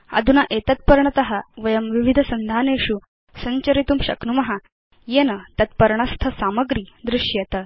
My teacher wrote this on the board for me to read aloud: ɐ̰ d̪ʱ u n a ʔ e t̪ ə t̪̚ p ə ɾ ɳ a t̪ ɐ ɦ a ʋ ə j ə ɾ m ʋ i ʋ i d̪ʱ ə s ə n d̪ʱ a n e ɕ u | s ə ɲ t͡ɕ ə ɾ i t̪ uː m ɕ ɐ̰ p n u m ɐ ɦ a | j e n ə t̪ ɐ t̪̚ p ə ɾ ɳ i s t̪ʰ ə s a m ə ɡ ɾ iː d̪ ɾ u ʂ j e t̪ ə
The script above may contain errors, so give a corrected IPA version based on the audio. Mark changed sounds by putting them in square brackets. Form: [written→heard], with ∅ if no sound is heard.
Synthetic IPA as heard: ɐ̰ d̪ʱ u n a ʔ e t̪ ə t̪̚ p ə ɾ ɳ [a→ə] t̪ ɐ ɦ a ʋ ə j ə [ɾ→∅] m ʋ i ʋ i d̪ʱ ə s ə n d̪ʱ a n e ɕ u | s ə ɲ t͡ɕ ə ɾ i t̪ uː m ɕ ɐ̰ [p→k] n u m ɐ ɦ a | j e n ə t̪ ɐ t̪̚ p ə ɾ ɳ [i→a] s t̪ʰ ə s a m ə ɡ ɾ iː d̪ ɾ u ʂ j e t̪ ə